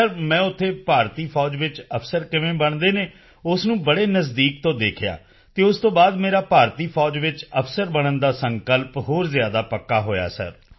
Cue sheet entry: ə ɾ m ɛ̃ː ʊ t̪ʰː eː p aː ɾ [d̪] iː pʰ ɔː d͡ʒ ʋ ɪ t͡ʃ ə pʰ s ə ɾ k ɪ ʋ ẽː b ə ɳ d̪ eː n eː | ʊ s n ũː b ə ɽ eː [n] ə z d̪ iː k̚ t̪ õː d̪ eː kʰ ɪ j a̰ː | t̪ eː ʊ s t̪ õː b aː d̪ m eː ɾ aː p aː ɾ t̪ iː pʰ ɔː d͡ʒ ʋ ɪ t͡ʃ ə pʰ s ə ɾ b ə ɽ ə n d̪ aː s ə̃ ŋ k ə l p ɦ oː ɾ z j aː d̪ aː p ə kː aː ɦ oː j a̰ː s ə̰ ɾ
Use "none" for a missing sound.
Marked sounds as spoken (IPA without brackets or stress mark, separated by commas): t̪, n